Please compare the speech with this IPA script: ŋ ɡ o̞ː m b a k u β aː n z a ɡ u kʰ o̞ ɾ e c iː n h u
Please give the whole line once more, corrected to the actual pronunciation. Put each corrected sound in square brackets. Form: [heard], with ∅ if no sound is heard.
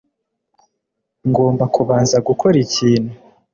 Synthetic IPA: ŋ ɡ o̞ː m b a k u β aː n z a ɡ u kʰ o̞ ɾ [i] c iː n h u